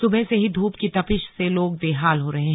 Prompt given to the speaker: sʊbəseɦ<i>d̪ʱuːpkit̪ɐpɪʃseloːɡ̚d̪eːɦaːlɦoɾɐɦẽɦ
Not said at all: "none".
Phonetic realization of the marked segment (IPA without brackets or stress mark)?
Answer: i